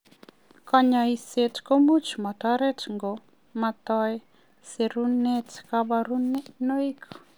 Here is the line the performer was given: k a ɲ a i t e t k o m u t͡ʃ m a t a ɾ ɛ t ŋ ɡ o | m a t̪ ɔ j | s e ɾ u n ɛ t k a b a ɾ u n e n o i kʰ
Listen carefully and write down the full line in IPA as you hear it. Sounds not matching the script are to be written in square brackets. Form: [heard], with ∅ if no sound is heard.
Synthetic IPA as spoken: k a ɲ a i [s] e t k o m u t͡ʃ m a t a ɾ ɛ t ŋ ɡ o | m a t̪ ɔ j | s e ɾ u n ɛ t k a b a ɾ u n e n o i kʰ